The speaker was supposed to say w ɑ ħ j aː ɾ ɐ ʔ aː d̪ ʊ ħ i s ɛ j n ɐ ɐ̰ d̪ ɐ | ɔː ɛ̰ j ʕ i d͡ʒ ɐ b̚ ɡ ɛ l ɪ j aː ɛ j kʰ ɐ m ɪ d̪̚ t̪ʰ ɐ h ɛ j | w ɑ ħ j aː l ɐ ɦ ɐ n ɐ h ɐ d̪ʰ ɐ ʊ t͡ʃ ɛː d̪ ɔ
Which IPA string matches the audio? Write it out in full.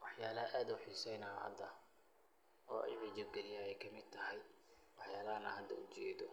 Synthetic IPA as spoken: w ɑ ħ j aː l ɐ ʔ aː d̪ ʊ ħ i s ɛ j n ɐ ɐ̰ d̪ ɐ | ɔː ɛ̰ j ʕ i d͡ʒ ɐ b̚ ɡ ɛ l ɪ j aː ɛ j kʰ ɐ m ɪ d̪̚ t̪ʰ ɐ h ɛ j | w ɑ ħ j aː l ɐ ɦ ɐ n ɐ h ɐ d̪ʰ ɐ ʊ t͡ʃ ɛː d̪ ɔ